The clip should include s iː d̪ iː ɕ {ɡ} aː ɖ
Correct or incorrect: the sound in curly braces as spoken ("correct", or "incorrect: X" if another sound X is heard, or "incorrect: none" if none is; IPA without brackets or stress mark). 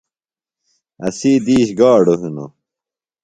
correct